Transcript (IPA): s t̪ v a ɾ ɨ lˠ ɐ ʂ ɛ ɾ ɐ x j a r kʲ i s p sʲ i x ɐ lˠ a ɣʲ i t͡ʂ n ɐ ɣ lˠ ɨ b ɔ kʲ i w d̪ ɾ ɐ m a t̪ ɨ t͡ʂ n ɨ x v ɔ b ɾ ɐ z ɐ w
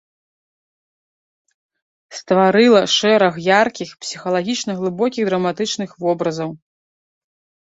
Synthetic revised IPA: s t̪ v a ɾ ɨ lˠ ɐ ʂ ɛ ɾ ɐ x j a r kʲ i x p sʲ i x ɐ lˠ a ɣʲ i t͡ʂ n ɐ ɣ lˠ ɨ b ɔ kʲ i ɣ d̪ ɾ ɐ m a t̪ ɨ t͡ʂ n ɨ x v ɔ b ɾ ɐ z ɐ w